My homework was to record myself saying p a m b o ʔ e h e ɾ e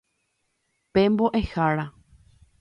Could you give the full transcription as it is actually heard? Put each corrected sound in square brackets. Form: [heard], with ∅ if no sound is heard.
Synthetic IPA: p [e] m b o ʔ e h [a] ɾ [a]